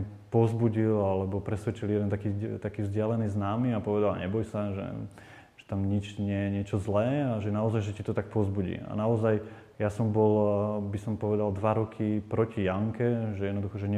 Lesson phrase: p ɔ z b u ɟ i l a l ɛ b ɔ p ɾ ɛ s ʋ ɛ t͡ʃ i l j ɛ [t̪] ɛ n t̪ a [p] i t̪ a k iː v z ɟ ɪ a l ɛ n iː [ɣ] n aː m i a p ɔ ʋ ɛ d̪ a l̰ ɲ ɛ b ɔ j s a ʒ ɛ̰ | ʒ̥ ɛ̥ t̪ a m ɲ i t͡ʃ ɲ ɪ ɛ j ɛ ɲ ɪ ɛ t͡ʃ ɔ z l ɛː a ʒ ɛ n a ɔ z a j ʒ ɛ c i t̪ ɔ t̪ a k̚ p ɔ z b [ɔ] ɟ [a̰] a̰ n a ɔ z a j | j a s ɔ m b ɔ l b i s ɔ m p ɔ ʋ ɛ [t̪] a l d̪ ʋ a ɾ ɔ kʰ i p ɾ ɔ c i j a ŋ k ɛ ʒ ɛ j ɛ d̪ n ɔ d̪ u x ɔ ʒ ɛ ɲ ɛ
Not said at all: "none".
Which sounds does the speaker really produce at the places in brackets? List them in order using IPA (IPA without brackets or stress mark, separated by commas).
d̪, k, z, u, ḭ, d̪